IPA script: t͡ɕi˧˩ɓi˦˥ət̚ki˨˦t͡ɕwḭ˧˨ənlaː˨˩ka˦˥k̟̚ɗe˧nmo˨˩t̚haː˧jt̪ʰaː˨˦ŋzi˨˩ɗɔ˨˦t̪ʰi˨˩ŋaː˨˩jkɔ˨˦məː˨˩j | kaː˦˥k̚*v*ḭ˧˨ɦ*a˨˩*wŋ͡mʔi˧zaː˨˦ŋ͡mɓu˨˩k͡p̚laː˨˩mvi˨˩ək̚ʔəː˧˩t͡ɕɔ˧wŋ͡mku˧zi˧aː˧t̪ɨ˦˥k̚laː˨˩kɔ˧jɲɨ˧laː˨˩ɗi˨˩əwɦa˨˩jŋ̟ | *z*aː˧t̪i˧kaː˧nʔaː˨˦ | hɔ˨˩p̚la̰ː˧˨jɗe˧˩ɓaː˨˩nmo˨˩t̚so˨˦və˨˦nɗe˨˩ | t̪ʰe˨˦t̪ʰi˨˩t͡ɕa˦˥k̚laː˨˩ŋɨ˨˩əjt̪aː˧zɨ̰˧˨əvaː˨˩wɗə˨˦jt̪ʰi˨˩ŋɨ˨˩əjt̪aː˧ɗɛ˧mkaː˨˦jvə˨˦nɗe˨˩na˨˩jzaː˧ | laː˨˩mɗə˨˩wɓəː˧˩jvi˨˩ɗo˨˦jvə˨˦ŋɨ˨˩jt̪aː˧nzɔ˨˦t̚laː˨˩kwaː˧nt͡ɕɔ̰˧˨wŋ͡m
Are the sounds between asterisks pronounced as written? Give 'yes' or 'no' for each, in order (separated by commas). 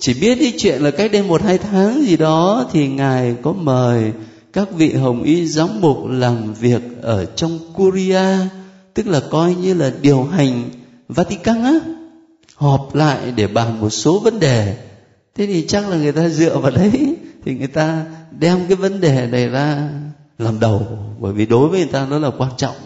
yes, no, no